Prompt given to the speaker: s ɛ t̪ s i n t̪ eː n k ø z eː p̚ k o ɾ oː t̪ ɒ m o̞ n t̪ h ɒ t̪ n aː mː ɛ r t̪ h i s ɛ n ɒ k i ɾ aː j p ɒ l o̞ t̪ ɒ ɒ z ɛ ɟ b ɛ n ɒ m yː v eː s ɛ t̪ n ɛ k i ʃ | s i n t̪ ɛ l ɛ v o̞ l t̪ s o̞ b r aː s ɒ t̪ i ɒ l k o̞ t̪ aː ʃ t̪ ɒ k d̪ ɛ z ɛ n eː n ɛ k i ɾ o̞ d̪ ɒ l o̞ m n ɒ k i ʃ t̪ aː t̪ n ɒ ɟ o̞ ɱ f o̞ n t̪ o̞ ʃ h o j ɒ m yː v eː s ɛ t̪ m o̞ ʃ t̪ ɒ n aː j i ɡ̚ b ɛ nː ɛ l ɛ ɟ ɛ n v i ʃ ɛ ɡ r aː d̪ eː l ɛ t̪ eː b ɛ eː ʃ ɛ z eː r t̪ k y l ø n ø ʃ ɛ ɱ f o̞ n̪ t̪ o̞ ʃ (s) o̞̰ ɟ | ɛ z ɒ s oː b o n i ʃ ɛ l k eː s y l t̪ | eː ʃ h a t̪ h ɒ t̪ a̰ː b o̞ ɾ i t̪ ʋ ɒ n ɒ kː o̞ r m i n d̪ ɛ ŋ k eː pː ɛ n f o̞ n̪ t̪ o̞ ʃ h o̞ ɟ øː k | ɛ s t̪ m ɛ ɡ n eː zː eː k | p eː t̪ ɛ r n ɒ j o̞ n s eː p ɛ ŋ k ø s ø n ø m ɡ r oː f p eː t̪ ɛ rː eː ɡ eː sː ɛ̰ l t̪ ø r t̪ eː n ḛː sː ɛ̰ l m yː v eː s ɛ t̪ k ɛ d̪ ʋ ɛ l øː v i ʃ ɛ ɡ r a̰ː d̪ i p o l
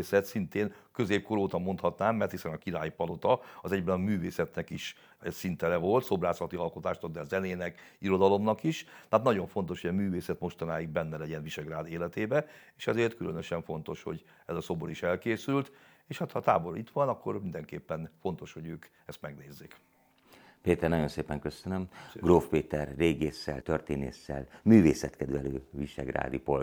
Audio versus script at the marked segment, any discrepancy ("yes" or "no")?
yes